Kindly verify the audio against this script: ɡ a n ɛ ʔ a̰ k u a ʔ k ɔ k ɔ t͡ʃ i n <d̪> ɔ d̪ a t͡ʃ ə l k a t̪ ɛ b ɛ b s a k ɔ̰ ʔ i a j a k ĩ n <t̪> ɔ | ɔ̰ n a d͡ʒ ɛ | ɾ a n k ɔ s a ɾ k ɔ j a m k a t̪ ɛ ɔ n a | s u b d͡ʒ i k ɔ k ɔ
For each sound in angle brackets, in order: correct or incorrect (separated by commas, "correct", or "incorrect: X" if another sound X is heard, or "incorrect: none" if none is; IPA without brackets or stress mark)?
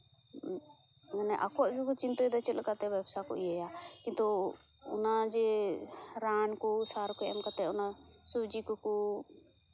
incorrect: t̪, correct